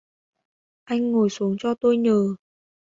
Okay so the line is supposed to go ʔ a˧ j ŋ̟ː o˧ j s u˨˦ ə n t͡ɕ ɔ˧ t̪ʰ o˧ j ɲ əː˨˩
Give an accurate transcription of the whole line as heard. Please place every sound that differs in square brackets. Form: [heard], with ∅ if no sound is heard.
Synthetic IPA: ʔ a˧ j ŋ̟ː [o˨˩] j s u˨˦ ə [ŋ] t͡ɕ ɔ˧ [t̪] o˧ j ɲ əː˨˩